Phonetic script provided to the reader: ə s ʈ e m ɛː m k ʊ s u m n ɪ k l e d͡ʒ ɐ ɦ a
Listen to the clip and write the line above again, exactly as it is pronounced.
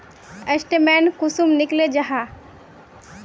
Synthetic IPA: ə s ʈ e m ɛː n k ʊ s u m n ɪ k l e d͡ʒ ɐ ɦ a